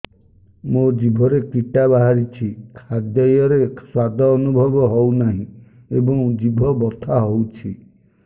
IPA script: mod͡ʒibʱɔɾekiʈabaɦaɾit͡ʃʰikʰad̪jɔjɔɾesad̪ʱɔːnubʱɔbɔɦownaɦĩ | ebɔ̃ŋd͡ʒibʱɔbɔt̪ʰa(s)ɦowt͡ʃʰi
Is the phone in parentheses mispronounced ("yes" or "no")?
yes